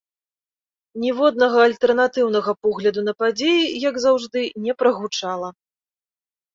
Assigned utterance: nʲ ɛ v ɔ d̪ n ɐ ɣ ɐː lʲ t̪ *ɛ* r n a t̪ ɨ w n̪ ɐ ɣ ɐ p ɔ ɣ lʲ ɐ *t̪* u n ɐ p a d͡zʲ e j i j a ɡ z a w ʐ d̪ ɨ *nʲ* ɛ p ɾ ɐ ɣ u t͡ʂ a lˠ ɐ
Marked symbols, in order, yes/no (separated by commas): yes, no, yes